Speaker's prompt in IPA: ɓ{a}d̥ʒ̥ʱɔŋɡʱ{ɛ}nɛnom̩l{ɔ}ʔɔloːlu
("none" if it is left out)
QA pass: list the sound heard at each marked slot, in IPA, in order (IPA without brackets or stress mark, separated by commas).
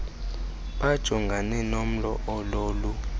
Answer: a, a, ɔ